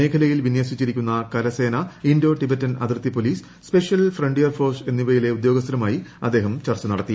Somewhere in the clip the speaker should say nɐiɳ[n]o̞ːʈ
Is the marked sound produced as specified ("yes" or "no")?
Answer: no